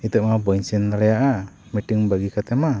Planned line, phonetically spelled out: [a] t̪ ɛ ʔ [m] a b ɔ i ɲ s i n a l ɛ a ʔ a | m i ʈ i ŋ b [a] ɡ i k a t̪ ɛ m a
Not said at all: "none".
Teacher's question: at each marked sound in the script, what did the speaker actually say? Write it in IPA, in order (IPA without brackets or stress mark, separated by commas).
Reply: i, m, a